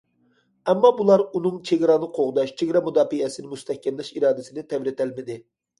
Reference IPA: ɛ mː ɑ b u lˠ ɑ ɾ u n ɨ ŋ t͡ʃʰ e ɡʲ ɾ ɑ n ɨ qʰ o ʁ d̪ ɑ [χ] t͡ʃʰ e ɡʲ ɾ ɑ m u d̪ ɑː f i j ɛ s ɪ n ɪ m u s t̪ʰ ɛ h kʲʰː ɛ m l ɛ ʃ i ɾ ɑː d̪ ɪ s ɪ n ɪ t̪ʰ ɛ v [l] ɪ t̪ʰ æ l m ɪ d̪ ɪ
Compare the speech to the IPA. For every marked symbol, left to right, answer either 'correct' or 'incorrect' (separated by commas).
incorrect, incorrect